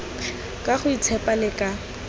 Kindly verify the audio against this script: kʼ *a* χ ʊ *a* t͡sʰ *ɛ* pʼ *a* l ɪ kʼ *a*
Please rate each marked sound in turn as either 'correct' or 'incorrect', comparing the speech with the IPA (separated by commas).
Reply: correct, incorrect, correct, correct, correct